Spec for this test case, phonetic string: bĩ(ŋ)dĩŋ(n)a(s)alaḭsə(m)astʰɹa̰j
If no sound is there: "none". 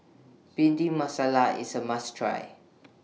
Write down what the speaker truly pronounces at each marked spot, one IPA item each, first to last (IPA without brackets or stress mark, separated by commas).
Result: n, m, s, m